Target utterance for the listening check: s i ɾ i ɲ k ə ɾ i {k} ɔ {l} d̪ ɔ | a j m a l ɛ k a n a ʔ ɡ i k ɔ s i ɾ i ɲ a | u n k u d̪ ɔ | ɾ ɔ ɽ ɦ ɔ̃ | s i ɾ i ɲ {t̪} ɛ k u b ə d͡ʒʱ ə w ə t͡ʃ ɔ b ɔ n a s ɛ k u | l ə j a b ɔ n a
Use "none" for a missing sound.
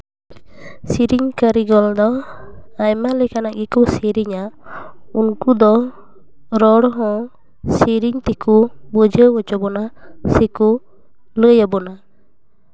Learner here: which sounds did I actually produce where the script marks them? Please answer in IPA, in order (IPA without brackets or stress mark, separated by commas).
ɡ, l, t̪